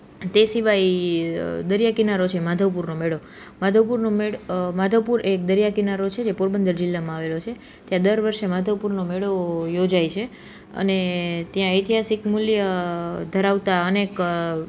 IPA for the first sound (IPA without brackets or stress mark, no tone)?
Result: t̪